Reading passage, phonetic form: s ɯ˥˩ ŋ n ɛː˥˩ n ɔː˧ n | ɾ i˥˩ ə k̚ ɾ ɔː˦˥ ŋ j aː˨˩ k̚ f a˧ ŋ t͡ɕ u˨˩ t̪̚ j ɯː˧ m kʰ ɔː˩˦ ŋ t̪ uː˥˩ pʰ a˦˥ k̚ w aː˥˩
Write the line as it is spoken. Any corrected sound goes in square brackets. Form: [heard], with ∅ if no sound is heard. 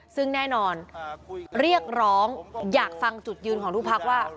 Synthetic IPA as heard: s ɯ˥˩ ŋ n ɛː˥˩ n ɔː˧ n | ɾ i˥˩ ə k̚ ɾ ɔː˦˥ ŋ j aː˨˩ k̚ f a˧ ŋ t͡ɕ u˨˩ t̪̚ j ɯː˧ [n] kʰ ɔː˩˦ ŋ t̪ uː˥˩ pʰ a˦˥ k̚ w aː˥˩